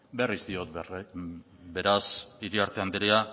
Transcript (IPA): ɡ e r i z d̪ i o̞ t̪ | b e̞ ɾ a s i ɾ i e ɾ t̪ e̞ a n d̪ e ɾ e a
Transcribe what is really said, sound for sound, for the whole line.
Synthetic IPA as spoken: b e r i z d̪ i o̞ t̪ | b e̞ ɾ a s i ɾ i a ɾ t̪ e̞ a n d̪ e ɾ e a